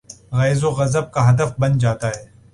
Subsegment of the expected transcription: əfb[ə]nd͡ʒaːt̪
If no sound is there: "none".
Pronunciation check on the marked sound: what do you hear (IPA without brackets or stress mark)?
ɐ